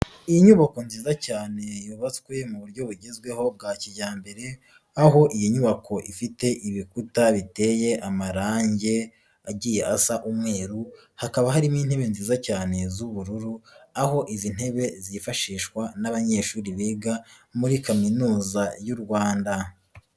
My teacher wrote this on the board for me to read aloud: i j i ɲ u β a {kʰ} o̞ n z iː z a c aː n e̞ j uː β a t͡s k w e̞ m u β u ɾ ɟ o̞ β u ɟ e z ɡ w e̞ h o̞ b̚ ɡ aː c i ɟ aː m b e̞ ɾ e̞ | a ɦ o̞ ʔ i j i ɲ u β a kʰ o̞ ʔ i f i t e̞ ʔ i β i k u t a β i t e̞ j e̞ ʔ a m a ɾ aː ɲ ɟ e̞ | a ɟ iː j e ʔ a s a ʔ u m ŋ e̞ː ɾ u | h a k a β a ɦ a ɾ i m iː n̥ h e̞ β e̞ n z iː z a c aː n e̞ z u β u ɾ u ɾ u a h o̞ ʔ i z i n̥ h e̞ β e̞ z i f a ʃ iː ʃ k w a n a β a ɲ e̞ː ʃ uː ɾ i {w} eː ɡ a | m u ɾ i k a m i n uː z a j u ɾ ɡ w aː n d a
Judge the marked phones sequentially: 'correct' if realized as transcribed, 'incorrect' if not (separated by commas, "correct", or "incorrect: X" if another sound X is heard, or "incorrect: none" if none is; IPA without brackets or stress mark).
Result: incorrect: k, incorrect: β